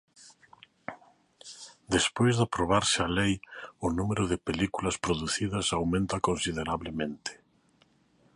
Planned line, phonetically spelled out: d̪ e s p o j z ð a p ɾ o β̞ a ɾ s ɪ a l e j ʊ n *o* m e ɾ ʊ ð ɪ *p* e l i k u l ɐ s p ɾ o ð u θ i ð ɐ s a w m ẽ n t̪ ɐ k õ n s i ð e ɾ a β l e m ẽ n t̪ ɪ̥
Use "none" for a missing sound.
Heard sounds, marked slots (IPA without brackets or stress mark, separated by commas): u, p